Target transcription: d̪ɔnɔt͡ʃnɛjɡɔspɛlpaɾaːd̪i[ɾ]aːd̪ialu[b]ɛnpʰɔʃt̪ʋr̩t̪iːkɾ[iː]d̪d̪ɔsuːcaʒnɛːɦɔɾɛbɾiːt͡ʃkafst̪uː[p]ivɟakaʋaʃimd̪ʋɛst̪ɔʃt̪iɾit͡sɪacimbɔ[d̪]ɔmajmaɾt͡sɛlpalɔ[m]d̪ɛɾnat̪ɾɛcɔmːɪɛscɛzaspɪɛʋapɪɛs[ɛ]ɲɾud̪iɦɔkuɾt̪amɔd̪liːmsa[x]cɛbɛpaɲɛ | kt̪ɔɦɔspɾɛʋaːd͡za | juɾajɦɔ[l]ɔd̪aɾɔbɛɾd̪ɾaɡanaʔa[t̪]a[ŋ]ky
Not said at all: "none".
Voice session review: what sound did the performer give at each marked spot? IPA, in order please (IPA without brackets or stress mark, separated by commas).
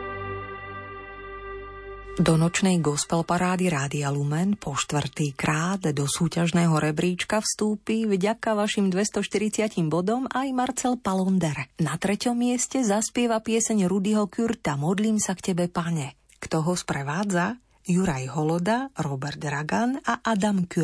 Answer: ɾ, m, aː, p, d̪, n, ɛ, k, l, d̪, m